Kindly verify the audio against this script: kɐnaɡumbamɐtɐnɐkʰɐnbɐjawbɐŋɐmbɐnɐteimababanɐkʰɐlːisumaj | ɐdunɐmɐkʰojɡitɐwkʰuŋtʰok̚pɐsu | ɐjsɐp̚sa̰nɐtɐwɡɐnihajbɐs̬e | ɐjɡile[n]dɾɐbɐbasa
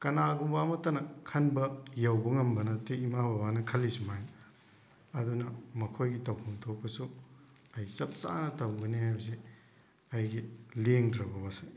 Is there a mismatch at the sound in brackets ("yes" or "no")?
yes